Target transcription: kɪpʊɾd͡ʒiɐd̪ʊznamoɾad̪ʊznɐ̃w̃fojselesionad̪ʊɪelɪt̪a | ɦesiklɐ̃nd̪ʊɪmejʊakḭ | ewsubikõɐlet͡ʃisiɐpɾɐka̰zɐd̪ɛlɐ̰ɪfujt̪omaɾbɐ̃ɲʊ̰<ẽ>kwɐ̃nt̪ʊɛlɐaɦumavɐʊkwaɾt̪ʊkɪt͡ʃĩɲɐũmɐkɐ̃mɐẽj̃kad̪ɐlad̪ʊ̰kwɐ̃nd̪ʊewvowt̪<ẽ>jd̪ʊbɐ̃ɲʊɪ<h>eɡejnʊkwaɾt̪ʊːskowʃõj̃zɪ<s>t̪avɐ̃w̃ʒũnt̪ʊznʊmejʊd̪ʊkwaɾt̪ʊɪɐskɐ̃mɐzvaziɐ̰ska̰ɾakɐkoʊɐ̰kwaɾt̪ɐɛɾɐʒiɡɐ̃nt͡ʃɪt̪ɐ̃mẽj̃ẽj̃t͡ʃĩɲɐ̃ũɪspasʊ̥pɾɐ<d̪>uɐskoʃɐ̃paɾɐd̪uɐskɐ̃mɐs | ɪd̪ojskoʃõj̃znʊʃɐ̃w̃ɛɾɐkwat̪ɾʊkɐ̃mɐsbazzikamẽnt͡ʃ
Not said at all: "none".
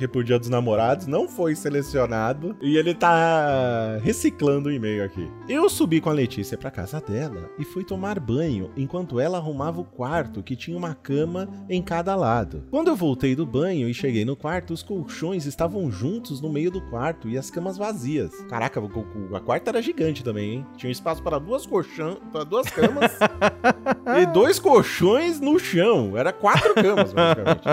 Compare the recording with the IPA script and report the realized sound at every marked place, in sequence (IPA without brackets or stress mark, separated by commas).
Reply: ẽ, e, ʃ, s, d̪